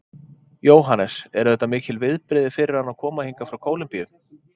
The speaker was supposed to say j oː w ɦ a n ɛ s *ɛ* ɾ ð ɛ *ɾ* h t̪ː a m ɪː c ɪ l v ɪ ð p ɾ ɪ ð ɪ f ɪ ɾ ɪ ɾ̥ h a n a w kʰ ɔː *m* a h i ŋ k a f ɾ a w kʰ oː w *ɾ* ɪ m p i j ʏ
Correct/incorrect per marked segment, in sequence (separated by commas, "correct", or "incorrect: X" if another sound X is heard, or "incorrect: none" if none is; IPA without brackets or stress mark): correct, incorrect: none, correct, incorrect: l